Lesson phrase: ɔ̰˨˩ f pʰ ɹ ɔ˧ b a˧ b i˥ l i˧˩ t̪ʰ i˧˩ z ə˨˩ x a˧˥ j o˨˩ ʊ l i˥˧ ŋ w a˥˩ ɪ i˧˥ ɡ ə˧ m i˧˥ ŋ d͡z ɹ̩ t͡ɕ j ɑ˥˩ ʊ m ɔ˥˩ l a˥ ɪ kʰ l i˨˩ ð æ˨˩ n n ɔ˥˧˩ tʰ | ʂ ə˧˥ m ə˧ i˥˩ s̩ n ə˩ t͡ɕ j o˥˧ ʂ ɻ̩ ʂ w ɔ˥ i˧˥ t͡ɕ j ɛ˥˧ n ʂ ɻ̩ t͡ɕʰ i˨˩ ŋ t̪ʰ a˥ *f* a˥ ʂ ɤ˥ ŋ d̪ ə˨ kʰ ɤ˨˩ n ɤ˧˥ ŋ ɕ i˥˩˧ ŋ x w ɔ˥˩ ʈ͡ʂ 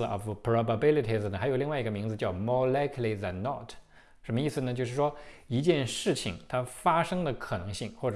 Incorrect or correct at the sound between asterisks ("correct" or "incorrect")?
correct